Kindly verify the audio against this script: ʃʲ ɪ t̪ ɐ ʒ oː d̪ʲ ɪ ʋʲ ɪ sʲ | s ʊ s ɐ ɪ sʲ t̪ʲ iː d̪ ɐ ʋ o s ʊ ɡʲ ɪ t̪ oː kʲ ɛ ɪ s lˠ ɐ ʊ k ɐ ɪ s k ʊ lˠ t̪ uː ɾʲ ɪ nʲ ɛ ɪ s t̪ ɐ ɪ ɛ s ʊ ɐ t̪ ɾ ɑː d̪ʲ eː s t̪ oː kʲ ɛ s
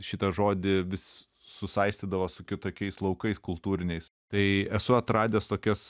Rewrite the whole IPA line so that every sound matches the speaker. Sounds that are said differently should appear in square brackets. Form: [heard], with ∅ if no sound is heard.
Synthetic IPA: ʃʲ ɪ t̪ ɐ ʒ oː d̪ʲ ɪ ʋʲ ɪ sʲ | s ʊ s ɐ ɪ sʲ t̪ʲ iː d̪ ɐ ʋ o s ʊ [kʲ] ɪ t̪ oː kʲ ɛ ɪ s lˠ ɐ ʊ k ɐ ɪ s k ʊ lˠ t̪ uː ɾʲ ɪ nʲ ɛ ɪ s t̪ ɐ ɪ ɛ s ʊ ɐ t̪ ɾ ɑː d̪ʲ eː s t̪ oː kʲ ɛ s